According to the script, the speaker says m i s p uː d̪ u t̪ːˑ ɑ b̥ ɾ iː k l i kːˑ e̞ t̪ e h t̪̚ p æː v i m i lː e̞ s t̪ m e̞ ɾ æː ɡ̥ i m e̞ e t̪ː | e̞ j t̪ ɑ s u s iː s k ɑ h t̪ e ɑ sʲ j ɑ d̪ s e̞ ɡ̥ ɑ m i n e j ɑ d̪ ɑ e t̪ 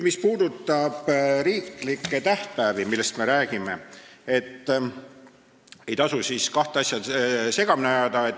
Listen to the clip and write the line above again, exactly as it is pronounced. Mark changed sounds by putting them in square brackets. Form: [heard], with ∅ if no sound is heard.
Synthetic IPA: m i s p uː d̪ u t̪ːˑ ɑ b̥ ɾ iː k l i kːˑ e̞ t̪ [æ] h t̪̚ p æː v i m i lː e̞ s t̪ m e̞ ɾ æː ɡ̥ i m e̞ e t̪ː | e̞ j t̪ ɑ s u s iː s k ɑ h t̪ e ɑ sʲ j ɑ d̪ s e̞ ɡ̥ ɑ m i n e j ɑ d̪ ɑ e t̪